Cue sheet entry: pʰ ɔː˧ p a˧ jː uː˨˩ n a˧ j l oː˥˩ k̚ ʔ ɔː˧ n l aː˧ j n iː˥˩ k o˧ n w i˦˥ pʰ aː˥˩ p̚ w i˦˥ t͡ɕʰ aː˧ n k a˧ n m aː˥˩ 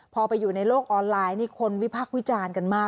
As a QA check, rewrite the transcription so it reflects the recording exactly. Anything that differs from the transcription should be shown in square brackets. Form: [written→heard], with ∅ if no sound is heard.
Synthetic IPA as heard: pʰ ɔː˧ p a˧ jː uː˨˩ n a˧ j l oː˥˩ k̚ ʔ ɔː˧ n l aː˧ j n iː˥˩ [k→kʰ] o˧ n w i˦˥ pʰ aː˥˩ [p̚→k̚] w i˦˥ [t͡ɕʰ→t͡ɕ] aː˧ n k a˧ n m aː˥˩